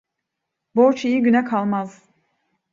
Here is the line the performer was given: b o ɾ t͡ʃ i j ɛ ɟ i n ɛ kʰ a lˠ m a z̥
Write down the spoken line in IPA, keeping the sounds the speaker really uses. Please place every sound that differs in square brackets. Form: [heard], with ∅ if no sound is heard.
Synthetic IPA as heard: b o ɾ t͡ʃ i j [i] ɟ [y] n ɛ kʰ a lˠ m a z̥